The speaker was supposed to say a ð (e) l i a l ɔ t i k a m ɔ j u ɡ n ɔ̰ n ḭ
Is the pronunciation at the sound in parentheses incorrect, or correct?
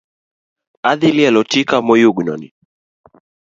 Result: incorrect